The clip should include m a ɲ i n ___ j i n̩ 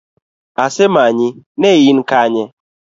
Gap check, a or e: e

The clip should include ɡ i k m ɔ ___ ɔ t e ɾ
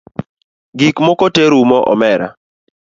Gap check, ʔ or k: k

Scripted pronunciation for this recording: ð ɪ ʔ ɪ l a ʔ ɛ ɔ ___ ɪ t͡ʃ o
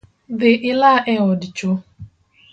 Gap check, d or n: d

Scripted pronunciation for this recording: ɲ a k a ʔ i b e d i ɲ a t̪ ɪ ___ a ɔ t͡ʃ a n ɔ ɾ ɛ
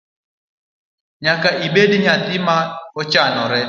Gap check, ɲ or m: m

